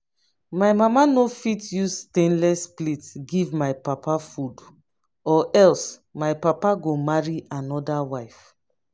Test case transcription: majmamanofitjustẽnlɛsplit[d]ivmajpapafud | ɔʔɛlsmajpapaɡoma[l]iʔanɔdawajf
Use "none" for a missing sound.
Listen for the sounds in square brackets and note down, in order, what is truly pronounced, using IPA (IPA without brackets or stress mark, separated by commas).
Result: ɡ, ɹ